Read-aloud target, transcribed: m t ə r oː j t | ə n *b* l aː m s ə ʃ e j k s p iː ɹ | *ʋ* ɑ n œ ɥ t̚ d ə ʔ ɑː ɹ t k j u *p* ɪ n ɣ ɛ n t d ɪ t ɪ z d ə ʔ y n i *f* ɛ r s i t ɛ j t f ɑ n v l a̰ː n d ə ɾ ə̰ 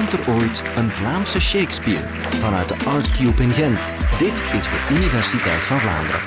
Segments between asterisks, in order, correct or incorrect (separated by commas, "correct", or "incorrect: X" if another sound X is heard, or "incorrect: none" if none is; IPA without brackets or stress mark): incorrect: v, incorrect: v, correct, incorrect: v